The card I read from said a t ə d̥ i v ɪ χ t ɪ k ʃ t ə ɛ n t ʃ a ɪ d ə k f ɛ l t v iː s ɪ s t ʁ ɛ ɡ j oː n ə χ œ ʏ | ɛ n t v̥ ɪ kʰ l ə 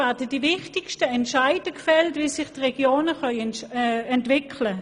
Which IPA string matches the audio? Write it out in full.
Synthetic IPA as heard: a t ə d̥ i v ɪ χ t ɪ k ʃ t ə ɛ n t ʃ a ɪ d ə k f ɛ l t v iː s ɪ χ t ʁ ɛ ɡ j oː n ə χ œ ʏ | ɛ n t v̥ ɪ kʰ l ə